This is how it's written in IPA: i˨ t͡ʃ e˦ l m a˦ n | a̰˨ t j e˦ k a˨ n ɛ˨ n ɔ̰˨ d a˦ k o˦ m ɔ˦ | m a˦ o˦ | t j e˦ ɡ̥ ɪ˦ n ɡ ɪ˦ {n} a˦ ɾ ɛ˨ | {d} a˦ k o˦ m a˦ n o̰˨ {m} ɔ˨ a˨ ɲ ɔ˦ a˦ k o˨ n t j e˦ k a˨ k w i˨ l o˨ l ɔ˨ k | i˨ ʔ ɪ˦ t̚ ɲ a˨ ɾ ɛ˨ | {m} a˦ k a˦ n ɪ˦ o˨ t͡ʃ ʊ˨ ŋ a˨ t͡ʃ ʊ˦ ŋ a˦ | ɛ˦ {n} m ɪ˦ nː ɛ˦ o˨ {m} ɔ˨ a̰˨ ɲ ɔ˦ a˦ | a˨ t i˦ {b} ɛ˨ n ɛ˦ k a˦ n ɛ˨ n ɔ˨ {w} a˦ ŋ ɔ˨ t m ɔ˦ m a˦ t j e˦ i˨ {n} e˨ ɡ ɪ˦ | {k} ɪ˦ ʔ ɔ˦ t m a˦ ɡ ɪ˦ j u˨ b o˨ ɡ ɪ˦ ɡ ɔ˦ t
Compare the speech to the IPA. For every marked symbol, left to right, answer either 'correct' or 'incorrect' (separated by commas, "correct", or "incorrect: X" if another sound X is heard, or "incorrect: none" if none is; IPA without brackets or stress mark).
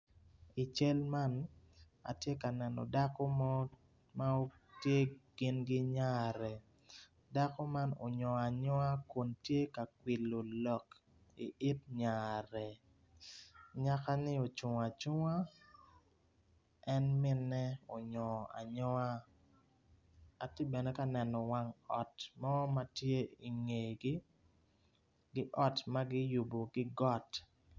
incorrect: ɲ, correct, incorrect: ɲ, incorrect: ɲ, correct, incorrect: ɲ, correct, correct, incorrect: ŋ, incorrect: ɡ